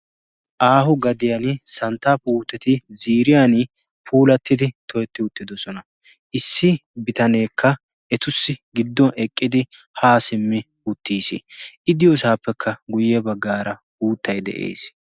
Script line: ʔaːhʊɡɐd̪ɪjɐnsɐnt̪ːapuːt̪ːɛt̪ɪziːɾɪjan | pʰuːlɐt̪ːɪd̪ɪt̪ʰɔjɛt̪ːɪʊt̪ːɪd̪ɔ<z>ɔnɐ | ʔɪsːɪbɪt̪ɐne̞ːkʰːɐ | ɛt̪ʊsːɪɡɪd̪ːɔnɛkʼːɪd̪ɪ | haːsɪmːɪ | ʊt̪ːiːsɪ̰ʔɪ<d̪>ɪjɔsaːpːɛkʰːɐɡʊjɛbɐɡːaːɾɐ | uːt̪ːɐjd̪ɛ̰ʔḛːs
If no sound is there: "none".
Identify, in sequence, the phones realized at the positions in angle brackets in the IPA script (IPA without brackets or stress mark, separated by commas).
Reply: s, d̪